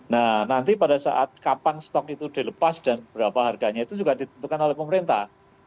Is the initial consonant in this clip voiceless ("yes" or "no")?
no